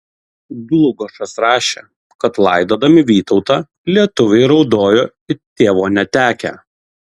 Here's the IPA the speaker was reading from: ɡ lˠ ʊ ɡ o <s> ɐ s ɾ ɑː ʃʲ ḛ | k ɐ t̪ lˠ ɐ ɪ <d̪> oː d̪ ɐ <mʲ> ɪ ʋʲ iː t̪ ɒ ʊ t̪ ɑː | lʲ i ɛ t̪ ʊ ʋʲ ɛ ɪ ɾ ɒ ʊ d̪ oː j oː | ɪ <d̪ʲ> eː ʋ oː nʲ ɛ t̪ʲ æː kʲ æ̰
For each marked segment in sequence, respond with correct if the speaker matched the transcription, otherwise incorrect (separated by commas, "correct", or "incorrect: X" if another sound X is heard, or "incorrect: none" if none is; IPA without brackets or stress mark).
incorrect: ʃ, correct, correct, incorrect: t̪ʲ